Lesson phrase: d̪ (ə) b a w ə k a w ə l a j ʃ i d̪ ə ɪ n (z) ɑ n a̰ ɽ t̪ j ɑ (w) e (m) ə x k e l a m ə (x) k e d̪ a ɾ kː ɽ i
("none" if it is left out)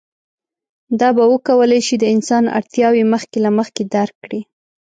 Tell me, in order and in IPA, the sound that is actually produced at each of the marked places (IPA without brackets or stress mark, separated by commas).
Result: ɑ, s, w, m, x